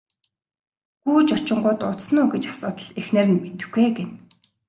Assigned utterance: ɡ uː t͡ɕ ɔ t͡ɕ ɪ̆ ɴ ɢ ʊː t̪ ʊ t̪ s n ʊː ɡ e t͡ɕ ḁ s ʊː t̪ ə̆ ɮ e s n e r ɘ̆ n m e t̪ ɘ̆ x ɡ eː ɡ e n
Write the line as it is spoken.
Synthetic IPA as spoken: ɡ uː t͡ɕ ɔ t͡ɕ ɪ̆ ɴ ɢ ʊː t̪ ʊ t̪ s n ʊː ɡ e t͡ɕ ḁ s ʊː t̪ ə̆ ɮ e x n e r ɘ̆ n m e t̪ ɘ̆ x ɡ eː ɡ e n